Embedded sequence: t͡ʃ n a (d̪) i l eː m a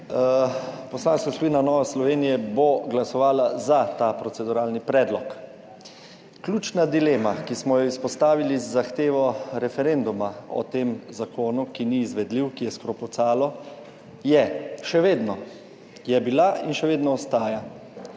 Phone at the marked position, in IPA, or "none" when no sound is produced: d̪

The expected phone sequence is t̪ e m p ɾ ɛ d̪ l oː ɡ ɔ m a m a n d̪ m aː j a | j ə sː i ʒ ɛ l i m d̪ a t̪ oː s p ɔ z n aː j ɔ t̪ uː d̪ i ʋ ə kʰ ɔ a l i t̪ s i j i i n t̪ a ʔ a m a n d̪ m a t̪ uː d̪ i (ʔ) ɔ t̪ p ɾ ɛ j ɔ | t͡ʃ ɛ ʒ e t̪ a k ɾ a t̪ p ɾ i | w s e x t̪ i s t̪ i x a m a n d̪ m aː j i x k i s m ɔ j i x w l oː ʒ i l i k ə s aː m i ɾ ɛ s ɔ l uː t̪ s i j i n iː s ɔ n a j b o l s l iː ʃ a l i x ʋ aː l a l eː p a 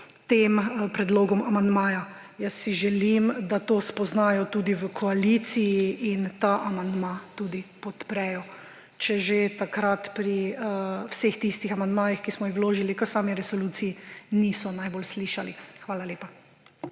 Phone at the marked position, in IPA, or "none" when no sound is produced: p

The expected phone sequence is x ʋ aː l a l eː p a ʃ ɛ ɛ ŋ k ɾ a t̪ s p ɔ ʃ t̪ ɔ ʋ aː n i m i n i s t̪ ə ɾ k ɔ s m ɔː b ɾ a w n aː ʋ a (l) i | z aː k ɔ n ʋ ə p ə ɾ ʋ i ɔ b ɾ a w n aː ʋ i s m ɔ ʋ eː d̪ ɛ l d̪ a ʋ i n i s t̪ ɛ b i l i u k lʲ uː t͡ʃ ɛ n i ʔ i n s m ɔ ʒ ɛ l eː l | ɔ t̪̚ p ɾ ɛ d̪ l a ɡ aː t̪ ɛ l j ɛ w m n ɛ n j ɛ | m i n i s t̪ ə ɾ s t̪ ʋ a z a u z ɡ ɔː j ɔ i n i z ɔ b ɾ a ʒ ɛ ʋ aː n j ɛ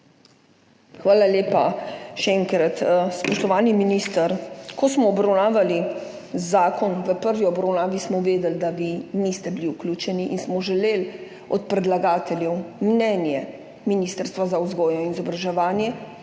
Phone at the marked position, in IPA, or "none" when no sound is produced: l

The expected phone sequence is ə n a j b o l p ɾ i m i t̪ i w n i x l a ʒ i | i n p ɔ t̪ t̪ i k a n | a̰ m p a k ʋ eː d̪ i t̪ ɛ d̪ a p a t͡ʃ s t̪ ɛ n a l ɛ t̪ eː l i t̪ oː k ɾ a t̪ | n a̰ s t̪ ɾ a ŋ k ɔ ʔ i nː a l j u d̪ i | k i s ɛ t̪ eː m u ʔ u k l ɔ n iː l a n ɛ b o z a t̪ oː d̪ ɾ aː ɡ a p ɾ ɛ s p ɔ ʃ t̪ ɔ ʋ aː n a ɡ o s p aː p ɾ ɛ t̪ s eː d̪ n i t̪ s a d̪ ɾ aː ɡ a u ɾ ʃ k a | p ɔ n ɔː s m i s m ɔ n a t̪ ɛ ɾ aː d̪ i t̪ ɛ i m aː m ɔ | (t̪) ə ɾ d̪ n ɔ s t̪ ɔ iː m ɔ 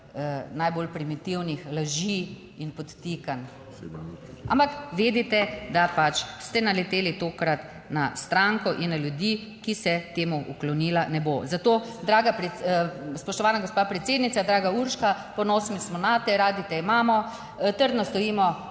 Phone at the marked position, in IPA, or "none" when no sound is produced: t̪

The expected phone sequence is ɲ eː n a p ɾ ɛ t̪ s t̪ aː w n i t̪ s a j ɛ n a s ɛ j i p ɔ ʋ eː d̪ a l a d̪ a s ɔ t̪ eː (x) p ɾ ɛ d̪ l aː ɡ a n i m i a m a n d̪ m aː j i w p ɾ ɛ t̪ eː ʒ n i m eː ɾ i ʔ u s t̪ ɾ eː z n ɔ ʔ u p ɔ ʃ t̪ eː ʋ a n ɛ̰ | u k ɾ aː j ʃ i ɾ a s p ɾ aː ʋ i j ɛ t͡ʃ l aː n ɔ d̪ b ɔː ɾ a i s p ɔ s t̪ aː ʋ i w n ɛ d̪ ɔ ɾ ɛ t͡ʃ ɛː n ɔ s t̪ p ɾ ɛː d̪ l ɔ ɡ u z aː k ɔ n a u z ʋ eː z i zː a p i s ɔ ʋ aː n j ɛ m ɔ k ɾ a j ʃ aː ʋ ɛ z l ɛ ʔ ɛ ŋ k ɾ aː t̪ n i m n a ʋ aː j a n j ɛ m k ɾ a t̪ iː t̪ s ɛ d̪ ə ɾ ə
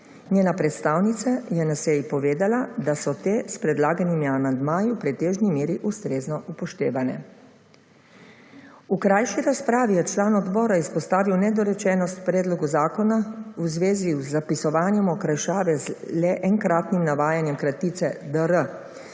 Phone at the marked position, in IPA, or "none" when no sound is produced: s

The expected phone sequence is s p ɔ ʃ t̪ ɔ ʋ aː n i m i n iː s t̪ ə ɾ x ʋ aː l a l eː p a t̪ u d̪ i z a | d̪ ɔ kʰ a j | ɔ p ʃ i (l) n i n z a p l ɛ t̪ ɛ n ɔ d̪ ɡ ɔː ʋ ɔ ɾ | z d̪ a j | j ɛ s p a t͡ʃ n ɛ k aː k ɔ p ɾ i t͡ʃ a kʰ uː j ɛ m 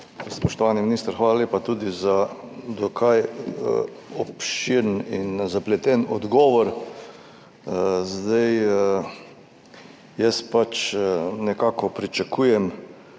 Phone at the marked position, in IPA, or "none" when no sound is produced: ɾ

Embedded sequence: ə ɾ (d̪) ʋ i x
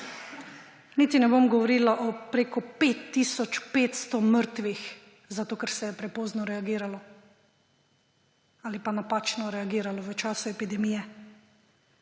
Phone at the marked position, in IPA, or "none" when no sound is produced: t̪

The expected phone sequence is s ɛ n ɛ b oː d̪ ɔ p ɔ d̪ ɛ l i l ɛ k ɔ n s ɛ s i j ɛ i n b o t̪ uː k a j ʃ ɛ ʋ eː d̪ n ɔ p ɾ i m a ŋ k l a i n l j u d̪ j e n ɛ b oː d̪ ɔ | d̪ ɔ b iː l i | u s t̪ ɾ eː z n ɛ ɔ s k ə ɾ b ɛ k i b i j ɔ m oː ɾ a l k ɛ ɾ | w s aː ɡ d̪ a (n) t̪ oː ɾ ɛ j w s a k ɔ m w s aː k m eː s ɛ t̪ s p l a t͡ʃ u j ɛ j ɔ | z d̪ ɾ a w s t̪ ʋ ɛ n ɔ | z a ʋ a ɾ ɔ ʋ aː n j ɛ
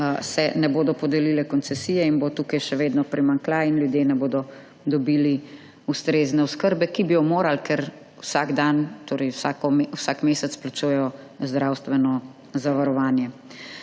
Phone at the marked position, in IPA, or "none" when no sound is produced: n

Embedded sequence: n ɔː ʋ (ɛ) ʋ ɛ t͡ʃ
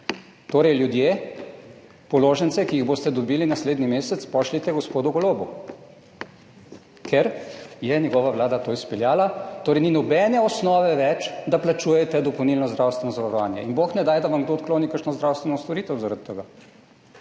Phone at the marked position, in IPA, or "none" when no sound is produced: ɛ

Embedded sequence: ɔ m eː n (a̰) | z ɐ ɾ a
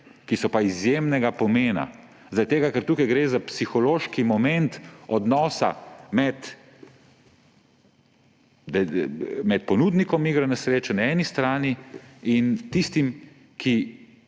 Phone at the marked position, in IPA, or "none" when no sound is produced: a̰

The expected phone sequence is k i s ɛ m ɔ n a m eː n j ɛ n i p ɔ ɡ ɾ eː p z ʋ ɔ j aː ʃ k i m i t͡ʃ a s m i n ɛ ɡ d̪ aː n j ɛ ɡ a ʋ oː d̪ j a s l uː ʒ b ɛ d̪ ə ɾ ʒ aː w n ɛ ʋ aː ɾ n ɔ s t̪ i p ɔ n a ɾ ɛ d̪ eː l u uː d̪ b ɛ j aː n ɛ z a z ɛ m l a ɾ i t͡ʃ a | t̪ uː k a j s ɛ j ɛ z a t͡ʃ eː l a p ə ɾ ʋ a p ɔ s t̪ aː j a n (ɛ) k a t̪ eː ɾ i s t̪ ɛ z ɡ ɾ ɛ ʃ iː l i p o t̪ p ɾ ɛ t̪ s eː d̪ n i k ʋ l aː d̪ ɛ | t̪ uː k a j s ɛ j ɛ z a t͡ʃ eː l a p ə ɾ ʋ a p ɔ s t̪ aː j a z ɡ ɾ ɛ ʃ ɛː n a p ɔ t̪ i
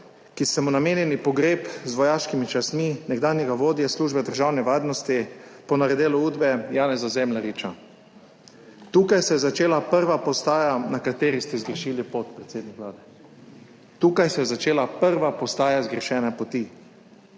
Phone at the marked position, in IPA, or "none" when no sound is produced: a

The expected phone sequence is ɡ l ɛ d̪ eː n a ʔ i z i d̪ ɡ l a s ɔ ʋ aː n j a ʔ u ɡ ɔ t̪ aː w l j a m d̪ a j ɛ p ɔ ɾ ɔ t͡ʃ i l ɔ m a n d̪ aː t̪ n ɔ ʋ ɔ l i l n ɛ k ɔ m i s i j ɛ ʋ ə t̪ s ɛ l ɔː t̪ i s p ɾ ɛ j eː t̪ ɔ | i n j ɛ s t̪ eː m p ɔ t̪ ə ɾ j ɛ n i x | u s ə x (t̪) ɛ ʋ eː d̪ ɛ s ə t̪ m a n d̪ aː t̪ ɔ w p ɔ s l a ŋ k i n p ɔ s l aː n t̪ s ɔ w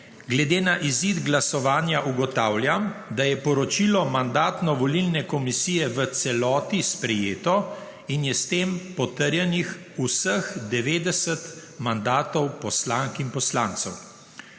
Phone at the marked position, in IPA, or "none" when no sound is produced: d̪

